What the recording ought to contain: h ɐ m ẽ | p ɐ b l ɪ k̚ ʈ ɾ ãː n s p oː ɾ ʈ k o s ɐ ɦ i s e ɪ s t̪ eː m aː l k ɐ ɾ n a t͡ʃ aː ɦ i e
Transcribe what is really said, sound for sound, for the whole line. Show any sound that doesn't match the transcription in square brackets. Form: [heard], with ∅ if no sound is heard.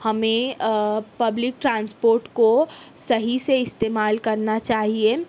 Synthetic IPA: h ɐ m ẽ | p ɐ b l ɪ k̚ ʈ ɾ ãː n s p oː ɾ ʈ k o s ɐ ɦ i s e ɪ s t̪ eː m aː l k ɐ ɾ n a t͡ʃ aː ɦ i e

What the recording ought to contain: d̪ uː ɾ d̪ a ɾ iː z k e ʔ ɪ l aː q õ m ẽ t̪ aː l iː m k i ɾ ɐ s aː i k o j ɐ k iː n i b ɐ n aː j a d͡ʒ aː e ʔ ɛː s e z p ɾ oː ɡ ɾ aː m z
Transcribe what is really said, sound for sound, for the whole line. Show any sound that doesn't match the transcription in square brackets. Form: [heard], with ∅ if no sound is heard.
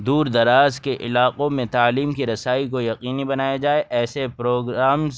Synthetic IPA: d̪ uː ɾ d̪ [ɐ] ɾ [aː] z k e ʔ ɪ l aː q õ m ẽ t̪ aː l iː m k i ɾ ɐ s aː i k o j ɐ [q] iː n i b ɐ n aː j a d͡ʒ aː e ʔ ɛː s e [∅] p ɾ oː ɡ ɾ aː m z

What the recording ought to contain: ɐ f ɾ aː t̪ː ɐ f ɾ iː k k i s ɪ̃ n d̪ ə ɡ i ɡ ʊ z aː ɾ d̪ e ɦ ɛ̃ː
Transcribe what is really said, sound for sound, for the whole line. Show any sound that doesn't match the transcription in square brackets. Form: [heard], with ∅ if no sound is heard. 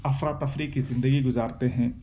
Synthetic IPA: ɐ f ɾ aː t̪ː ɐ f ɾ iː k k i [z] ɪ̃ n d̪ ə ɡ i ɡ ʊ z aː ɾ [t̪] e ɦ ɛ̃ː

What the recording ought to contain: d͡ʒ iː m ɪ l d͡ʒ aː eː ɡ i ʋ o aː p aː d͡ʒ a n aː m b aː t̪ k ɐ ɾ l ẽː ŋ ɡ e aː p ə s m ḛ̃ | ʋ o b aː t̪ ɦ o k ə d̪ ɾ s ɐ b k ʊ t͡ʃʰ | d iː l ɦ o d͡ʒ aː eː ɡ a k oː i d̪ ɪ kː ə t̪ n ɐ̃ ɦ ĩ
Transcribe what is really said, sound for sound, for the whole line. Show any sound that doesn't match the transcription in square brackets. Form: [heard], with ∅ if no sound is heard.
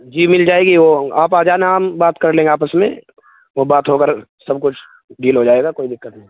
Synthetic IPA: d͡ʒ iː m ɪ l d͡ʒ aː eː ɡ i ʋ o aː p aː d͡ʒ a n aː m b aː t̪ k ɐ ɾ l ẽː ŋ ɡ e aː p ə s m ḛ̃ | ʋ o b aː t̪ ɦ o k ə [∅] ɾ s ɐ b k ʊ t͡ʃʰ | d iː l ɦ o d͡ʒ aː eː ɡ a k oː i d̪ ɪ kː ə t̪ n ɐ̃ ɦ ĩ

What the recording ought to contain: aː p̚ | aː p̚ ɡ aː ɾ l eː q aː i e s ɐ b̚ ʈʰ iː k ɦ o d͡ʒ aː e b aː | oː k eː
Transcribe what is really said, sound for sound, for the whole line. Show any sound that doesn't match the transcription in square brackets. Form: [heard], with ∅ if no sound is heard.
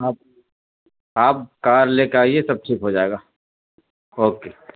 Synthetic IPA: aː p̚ | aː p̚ [k] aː ɾ l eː [k] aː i e s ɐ b̚ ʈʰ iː k ɦ o d͡ʒ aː e [ɡ] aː | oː k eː

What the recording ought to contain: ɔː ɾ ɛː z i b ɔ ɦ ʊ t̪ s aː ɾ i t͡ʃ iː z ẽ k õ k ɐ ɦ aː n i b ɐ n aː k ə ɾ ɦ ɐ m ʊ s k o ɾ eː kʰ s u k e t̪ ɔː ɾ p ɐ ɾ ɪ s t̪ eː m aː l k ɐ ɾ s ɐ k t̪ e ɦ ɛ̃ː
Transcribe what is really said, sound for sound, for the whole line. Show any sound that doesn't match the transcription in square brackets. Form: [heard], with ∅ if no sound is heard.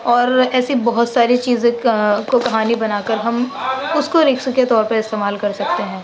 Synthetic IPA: ɔː ɾ ɛː [s] i b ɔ ɦ ʊ t̪ s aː ɾ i t͡ʃ iː z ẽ k [o] k ɐ ɦ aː n i b ɐ n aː k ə ɾ ɦ ɐ m ʊ s k o ɾ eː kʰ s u k e t̪ ɔː ɾ p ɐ ɾ ɪ s t̪ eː m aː l k ɐ ɾ s ɐ k t̪ e ɦ ɛ̃ː

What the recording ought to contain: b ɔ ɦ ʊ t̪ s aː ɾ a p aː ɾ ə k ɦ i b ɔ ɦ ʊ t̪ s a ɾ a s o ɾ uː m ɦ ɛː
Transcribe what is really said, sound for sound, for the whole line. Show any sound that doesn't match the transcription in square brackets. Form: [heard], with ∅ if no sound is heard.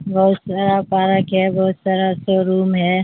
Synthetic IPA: b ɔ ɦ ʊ t̪ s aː ɾ a p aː ɾ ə k ɦ [ɛ] b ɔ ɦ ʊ t̪ s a ɾ a s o ɾ uː m ɦ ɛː

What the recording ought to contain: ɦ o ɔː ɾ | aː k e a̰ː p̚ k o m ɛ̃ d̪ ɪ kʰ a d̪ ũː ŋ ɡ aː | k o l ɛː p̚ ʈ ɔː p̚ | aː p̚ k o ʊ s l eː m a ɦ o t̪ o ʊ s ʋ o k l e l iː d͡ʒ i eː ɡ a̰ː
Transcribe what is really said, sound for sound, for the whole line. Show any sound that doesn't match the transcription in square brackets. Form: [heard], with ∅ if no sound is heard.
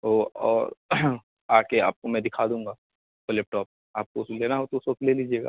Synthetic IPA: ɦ o ɔː ɾ | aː k e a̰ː p̚ k o m ɛ̃ d̪ ɪ kʰ a d̪ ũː ŋ ɡ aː | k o l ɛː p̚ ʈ ɔː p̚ | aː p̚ k o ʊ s l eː [n] a ɦ o t̪ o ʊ s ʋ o k l e l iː d͡ʒ i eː ɡ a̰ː

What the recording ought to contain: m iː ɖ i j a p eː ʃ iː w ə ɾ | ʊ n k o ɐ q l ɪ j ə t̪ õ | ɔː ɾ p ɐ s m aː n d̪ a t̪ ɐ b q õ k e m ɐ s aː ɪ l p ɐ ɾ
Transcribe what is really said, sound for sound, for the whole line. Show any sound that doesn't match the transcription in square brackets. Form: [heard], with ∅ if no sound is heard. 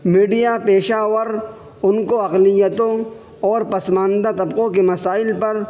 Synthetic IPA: m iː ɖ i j a p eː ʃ [aː] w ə ɾ | ʊ n k o ɐ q l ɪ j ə t̪ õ | ɔː ɾ p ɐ s m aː n d̪ a t̪ ɐ b q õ k e m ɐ s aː ɪ l p ɐ ɾ

